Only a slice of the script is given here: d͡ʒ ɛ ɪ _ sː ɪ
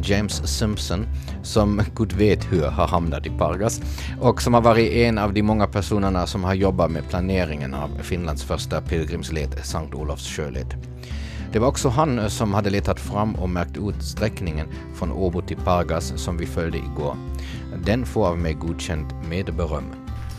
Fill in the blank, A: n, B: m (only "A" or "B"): B